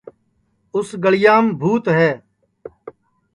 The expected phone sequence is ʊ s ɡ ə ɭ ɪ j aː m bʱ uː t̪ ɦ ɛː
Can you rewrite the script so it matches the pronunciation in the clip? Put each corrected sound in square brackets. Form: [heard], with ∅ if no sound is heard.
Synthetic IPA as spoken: ʊ s ɡ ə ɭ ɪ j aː m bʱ uː t̪ ɦ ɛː